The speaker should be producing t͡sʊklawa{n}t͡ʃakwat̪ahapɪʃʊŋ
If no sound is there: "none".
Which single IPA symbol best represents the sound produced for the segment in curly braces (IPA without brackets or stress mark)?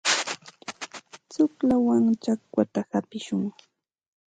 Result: ŋ